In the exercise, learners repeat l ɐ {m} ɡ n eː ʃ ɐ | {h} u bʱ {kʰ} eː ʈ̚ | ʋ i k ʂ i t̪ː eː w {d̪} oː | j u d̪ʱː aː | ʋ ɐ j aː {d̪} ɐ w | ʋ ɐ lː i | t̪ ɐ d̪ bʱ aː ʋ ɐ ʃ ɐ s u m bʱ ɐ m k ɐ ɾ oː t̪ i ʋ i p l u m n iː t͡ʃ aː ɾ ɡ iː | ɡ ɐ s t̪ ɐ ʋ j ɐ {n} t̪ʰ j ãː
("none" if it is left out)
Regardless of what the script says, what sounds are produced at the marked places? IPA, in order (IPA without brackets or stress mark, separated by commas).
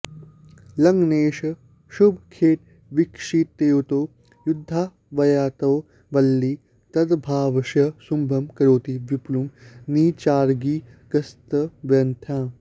ŋ, ʃ, kʰ, t̪, t̪, n